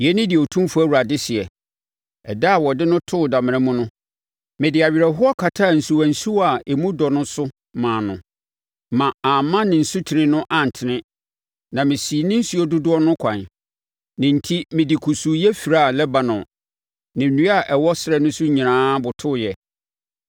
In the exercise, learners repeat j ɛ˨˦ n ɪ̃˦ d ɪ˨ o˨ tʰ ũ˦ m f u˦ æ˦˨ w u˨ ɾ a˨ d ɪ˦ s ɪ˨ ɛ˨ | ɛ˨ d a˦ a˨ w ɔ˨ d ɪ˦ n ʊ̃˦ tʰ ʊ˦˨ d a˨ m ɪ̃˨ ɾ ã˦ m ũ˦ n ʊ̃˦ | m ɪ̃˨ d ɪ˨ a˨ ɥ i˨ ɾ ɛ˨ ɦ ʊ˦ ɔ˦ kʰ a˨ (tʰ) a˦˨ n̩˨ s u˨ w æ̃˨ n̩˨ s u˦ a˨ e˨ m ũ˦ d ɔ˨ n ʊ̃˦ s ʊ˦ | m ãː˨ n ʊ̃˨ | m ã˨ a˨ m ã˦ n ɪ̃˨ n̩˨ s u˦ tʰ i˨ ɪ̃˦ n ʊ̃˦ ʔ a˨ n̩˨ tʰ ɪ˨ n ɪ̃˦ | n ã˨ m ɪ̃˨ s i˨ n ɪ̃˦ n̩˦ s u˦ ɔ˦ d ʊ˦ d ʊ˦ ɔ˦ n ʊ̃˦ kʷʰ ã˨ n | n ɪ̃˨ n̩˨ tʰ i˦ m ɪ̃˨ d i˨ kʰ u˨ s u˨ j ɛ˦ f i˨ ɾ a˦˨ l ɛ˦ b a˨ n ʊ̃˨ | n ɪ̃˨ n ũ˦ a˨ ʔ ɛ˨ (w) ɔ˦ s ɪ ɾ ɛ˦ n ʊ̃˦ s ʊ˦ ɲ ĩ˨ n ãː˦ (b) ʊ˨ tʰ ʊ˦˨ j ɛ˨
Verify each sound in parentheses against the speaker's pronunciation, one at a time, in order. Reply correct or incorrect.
correct, correct, correct

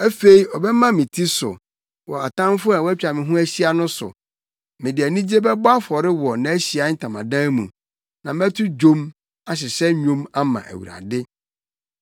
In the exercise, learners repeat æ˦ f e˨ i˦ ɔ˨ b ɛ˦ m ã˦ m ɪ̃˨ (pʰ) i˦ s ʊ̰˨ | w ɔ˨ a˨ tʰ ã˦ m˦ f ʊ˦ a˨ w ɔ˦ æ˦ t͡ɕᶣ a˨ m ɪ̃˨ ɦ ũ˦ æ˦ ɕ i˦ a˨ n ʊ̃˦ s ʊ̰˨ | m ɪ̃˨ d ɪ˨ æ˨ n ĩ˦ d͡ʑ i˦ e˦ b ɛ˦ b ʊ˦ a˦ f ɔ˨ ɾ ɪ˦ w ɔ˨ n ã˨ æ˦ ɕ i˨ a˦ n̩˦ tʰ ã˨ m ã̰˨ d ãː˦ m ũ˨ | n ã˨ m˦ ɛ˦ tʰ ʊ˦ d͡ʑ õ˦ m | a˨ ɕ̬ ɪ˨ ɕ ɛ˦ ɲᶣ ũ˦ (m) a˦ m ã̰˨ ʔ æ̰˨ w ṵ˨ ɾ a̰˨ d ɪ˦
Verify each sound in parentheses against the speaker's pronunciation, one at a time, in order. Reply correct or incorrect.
incorrect: tʰ, correct

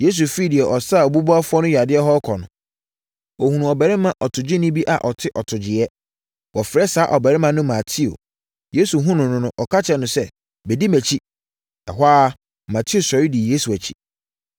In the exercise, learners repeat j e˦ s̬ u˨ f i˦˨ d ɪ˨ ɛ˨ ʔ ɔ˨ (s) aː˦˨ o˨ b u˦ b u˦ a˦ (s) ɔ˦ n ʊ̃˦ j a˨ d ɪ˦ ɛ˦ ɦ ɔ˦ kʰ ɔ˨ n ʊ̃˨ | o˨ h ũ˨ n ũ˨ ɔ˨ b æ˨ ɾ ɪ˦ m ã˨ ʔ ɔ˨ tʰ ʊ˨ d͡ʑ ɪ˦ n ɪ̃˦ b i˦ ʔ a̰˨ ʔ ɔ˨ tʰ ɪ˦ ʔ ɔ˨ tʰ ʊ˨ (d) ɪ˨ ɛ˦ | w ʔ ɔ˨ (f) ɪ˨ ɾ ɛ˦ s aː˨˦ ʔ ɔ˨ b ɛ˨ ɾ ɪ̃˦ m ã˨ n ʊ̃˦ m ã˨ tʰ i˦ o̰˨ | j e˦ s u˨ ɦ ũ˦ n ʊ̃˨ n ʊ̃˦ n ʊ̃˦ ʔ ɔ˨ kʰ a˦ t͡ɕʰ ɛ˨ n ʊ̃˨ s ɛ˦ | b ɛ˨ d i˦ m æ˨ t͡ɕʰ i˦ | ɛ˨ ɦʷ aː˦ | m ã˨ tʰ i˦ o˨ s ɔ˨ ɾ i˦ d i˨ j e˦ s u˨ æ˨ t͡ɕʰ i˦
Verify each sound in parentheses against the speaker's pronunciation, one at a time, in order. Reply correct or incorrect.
correct, incorrect: f, incorrect: d͡ʑ, correct

